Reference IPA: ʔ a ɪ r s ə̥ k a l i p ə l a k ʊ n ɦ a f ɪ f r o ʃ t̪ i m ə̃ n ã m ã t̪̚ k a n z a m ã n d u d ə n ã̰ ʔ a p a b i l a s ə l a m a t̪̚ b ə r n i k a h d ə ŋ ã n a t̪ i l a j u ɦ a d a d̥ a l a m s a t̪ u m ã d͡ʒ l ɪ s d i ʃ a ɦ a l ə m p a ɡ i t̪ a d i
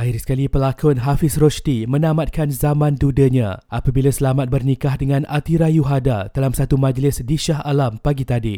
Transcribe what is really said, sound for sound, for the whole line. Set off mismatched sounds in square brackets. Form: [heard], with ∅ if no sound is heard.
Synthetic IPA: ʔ a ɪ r s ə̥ k a l i p ə l a k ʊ n ɦ a f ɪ [s] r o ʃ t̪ i m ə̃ n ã m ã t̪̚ k a n z a m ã n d u d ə [ɲ] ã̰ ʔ a p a b i l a s ə l a m a t̪̚ b ə r n i k a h d ə ŋ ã n a t̪ i [ɾ] a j u ɦ a d a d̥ a l a m s a t̪ u m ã d͡ʒ l ɪ s d i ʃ a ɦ a l [a] m p a ɡ i t̪ a d i